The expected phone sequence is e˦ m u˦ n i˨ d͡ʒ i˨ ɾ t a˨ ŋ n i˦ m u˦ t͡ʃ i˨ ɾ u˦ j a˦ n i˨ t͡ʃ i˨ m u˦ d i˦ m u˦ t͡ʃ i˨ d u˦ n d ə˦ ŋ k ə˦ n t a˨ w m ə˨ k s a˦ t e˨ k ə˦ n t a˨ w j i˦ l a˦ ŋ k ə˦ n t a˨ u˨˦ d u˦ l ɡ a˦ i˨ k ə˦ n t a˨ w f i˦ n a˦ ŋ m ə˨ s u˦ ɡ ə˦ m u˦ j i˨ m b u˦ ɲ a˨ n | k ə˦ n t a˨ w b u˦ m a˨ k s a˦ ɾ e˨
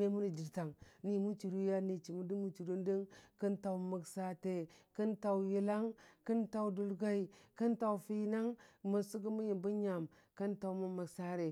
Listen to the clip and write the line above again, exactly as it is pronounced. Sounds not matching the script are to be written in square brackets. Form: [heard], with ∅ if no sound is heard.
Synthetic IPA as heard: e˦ m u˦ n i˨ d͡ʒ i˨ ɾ t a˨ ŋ n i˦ m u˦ t͡ʃ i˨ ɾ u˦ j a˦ n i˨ t͡ʃ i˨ m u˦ d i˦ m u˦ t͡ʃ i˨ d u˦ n d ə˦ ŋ k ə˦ n t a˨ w m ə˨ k s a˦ t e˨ k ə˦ n t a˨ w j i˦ l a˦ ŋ k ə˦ n t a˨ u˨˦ d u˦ l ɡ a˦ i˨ k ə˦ n t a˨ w f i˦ n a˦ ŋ m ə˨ s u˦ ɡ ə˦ m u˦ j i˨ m b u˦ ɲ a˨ [m] | k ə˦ n t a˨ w [m] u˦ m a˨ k s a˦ ɾ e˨